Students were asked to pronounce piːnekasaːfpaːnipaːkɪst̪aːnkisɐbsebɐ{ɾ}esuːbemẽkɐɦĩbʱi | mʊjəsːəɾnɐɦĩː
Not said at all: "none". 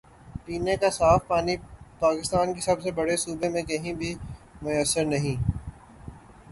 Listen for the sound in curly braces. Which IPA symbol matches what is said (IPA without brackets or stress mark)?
ɽ